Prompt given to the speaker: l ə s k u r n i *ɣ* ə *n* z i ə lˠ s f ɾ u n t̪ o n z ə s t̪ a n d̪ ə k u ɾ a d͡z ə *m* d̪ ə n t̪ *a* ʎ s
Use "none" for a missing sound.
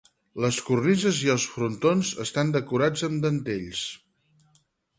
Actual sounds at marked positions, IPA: z, none, m, e

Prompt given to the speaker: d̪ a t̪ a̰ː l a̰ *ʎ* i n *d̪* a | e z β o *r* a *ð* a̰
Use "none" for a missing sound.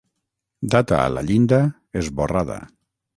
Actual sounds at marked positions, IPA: ʎ, d̪, r, ð

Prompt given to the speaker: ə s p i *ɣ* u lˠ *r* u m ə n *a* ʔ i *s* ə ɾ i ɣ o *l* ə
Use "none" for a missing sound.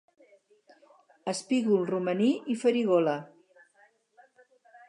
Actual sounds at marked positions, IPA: ɣ, r, i, f, l

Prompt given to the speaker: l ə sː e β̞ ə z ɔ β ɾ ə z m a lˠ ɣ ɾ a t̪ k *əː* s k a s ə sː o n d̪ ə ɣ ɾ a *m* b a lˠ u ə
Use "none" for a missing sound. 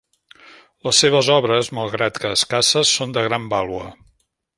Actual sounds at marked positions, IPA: əː, m

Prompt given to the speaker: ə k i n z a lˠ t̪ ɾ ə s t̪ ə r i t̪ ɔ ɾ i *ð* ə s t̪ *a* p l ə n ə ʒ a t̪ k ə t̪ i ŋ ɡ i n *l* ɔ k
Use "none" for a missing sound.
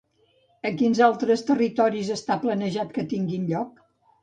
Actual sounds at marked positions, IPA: z, a, ʎ

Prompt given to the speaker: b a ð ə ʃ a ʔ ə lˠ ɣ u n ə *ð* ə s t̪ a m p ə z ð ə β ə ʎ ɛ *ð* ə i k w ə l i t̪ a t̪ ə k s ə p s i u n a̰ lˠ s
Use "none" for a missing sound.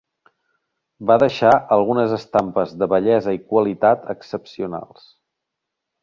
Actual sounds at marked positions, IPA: z, z

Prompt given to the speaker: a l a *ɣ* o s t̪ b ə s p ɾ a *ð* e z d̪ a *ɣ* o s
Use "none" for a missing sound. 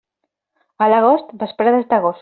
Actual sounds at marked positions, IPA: ɣ, ð, ɣ

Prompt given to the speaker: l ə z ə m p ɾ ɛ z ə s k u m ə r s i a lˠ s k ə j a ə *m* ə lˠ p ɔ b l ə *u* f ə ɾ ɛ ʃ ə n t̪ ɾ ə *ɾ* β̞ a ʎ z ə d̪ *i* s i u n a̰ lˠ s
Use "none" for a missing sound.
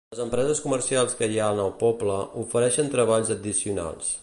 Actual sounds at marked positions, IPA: n, u, none, i

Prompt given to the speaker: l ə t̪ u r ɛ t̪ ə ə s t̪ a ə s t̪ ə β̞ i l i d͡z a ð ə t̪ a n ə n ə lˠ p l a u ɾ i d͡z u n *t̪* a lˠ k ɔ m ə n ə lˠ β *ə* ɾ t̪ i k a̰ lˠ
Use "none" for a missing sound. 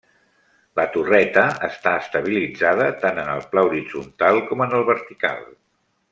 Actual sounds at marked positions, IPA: t̪, ə

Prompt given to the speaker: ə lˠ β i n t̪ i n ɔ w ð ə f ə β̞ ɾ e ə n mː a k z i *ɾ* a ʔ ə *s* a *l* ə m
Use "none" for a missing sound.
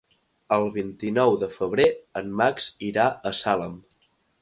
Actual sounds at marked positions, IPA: ɾ, s, l

